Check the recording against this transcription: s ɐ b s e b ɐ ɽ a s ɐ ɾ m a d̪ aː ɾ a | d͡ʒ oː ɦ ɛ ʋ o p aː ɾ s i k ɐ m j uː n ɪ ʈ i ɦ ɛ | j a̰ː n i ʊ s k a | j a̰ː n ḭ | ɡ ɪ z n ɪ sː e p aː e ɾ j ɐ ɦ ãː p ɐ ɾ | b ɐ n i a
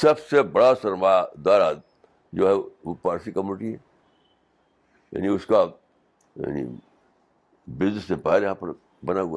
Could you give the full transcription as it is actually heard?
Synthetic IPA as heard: s ɐ b s e b ɐ ɽ a s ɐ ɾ m a d̪ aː ɾ a | d͡ʒ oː ɦ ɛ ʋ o p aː ɾ s i k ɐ m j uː n ɪ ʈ i ɦ ɛ | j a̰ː n i ʊ s k a | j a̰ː n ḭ | b ɪ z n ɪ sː e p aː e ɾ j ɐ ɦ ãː p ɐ ɾ | b ɐ n a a